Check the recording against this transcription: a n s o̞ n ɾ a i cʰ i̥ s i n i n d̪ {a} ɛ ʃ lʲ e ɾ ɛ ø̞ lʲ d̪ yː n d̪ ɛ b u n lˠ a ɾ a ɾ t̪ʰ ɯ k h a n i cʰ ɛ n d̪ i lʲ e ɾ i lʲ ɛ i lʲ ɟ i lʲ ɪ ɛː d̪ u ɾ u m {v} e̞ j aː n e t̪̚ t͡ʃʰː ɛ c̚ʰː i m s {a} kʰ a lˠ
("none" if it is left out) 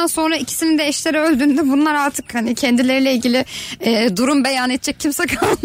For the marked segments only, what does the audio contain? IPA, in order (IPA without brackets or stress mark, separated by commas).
ɛ, b, ɛ